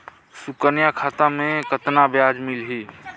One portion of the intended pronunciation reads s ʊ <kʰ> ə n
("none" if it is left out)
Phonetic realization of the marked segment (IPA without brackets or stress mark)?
k